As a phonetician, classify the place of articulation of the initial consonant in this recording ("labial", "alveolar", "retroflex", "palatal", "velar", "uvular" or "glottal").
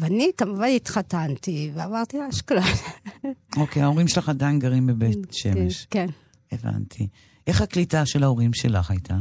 labial